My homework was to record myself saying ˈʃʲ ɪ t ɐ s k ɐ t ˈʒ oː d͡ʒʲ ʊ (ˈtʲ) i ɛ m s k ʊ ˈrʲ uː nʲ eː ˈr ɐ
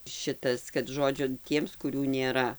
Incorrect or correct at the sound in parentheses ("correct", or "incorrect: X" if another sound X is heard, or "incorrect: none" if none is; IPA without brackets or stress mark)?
correct